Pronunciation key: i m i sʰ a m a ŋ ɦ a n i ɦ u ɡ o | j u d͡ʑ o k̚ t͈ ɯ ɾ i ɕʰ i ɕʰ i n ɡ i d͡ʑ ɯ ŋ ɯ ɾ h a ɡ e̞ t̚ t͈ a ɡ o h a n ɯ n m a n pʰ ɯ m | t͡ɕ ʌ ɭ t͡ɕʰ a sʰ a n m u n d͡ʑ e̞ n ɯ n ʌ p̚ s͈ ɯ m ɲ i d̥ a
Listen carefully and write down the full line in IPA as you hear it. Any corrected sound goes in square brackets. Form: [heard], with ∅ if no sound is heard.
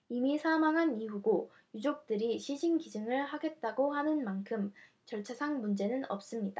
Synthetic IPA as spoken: i m i sʰ a m a ŋ ɦ a n i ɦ u ɡ o | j u d͡ʑ o k̚ t͈ ɯ ɾ i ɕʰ i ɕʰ i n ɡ i d͡ʑ ɯ ŋ ɯ [ɭ] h a ɡ e̞ t̚ t͈ a ɡ o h a n ɯ n m a n [kʰ] ɯ m | t͡ɕ ʌ ɭ t͡ɕʰ a sʰ a [ŋ] m u n d͡ʑ e̞ n ɯ n ʌ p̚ s͈ ɯ m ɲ i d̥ a